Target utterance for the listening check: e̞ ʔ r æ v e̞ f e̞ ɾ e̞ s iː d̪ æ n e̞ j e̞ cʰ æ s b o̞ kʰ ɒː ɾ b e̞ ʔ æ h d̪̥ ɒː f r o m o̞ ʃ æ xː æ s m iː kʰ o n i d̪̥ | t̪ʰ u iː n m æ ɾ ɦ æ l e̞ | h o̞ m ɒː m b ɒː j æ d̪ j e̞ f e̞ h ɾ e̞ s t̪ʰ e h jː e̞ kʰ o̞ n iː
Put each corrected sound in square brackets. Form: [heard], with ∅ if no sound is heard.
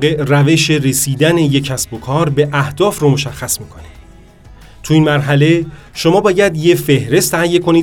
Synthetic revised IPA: e̞ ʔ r æ v e̞ [ʃ] e̞ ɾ e̞ s iː d̪ æ n e̞ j e̞ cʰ æ s b o̞ kʰ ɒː ɾ b e̞ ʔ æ h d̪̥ ɒː f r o m o̞ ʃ æ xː æ s m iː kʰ o n i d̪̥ | t̪ʰ u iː n m æ ɾ ɦ æ l e̞ | [ʃ] o̞ m ɒː [∅] b ɒː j æ d̪ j e̞ f e̞ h ɾ e̞ s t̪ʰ [æ] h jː e̞ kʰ o̞ n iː